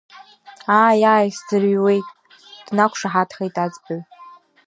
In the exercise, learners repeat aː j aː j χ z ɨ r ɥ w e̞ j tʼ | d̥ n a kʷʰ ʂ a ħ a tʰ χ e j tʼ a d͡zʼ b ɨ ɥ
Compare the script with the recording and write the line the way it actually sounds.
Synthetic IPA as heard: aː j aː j s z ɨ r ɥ w e̞ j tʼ | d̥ n a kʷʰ ʂ a ħ a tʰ χ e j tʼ a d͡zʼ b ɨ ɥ